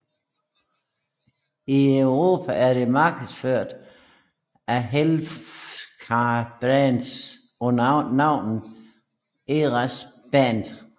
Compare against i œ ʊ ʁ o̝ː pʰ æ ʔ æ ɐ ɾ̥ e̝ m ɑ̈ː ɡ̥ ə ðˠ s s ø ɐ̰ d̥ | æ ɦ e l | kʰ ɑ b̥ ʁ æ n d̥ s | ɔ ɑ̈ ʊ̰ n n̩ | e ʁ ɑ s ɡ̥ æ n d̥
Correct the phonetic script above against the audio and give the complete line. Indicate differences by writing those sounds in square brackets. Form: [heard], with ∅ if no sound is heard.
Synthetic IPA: i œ ʊ ʁ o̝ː pʰ æ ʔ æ ɐ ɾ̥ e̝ m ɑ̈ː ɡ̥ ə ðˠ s [f] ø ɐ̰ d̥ | æ ɦ e l | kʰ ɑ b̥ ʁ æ n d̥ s | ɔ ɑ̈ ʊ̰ n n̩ | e ʁ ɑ s [b̥] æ n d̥